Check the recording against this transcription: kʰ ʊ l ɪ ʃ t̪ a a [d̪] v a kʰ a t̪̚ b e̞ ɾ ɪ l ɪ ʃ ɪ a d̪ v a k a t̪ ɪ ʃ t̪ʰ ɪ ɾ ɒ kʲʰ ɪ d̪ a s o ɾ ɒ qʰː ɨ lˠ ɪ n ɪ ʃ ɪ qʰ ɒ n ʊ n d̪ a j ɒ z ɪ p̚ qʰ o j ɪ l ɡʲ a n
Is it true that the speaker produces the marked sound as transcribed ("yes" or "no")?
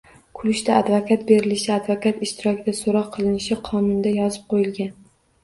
yes